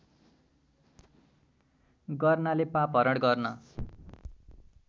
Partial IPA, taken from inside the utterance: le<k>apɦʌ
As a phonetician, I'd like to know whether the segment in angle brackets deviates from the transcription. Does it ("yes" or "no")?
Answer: yes